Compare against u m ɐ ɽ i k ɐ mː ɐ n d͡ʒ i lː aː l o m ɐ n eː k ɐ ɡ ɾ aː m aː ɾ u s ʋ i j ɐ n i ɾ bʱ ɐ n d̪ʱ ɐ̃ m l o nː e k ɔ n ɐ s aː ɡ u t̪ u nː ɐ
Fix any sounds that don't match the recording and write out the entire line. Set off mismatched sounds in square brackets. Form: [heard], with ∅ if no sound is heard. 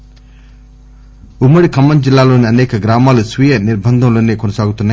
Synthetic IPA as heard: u m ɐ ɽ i k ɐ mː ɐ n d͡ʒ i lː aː l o [n] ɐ n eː k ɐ ɡ ɾ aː m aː [l] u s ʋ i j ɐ n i ɾ bʱ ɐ n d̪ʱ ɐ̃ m l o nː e k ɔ n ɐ s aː ɡ u t̪ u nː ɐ